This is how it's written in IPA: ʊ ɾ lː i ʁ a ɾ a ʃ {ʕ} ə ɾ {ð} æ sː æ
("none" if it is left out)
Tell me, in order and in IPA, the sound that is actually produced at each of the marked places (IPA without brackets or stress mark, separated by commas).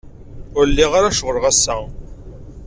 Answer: ʁ, ʁ